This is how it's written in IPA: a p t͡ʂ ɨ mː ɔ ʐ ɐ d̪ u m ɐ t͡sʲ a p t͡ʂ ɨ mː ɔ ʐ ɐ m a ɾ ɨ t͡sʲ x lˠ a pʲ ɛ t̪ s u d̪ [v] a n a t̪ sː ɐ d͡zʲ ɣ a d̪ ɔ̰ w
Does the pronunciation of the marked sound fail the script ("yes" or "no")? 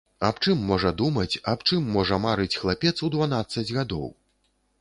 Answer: no